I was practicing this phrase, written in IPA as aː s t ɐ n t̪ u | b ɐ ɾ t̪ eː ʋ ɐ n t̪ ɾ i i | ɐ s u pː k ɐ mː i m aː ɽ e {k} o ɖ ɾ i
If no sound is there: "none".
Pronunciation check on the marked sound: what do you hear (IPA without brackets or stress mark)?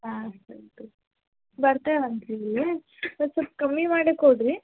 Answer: k